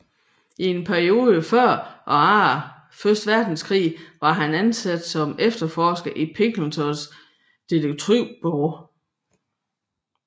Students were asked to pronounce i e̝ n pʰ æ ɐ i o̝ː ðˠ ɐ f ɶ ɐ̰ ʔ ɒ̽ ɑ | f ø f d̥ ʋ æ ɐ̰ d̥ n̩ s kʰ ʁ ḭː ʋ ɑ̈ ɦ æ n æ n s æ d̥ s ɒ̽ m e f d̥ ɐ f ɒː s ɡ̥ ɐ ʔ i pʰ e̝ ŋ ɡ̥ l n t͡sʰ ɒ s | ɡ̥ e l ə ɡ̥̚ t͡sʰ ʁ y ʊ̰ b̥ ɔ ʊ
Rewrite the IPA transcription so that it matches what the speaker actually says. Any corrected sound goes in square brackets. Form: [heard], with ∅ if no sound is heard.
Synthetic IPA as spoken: i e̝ n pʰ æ ɐ i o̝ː ðˠ [ə] f ɶ ɐ̰ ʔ ɒ̽ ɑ | f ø [s] d̥ ʋ æ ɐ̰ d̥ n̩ s kʰ ʁ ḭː ʋ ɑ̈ ɦ æ n æ n s æ d̥ s ɒ̽ m e f d̥ ɐ f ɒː s ɡ̥ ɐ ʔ i pʰ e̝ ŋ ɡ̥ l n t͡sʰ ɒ s | [d̥] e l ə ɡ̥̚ t͡sʰ ʁ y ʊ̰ b̥ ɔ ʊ